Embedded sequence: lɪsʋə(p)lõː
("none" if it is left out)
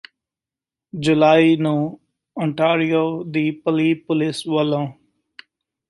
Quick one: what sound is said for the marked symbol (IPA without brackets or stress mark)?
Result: none